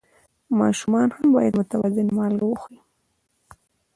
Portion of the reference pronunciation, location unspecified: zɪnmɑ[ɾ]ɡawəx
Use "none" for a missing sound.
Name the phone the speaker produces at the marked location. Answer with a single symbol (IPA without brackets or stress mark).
l